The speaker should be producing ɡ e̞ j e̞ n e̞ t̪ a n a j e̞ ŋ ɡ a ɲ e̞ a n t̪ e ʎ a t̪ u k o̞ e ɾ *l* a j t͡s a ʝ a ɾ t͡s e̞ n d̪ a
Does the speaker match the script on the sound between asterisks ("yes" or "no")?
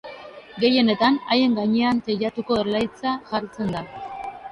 yes